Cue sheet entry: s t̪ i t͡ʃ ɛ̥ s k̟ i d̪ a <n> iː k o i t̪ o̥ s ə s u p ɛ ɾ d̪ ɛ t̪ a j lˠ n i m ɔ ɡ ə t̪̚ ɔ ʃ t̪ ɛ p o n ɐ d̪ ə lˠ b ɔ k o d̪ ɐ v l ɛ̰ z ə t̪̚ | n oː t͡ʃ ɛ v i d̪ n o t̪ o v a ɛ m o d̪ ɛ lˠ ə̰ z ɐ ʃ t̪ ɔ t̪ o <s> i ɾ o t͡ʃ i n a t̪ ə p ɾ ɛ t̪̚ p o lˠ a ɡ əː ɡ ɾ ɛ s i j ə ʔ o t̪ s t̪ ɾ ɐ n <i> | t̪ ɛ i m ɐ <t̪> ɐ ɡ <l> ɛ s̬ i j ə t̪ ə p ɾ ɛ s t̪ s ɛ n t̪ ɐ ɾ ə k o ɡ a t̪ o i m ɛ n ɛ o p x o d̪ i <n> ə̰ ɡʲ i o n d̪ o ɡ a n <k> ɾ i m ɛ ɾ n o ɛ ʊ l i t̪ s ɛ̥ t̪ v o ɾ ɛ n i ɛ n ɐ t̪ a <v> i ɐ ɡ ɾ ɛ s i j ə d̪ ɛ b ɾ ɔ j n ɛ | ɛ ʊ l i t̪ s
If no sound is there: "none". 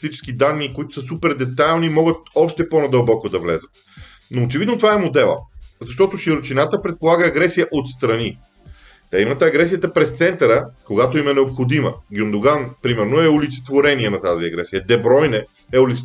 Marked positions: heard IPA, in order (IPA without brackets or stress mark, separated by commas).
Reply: nː, ʃ, i, t̪, ɾ, m, p, z